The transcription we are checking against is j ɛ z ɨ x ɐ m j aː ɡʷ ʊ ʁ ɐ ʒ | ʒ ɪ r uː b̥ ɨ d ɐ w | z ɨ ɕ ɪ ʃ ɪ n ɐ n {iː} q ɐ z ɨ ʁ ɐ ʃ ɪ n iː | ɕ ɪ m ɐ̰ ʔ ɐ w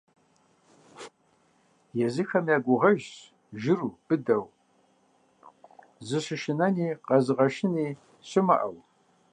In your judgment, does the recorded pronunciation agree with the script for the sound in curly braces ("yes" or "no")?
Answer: yes